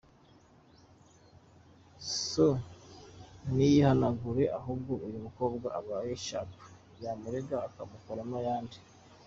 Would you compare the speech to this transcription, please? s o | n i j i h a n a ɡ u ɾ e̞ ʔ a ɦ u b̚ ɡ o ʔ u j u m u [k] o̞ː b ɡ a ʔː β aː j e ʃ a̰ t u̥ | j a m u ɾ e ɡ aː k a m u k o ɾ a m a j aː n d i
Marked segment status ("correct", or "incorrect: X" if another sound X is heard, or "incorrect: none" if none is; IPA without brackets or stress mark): correct